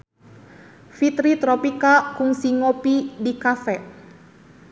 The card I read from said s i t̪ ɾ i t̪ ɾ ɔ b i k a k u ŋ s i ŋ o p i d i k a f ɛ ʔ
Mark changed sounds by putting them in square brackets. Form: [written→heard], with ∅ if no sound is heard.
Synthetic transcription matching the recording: [s→f] i t̪ ɾ i t̪ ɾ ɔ [b→p] i k a k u ŋ s i ŋ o p i d i k a f ɛ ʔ